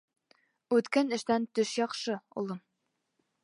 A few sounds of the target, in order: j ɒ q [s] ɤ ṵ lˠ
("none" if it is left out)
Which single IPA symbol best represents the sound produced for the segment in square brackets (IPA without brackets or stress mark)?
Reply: ʃ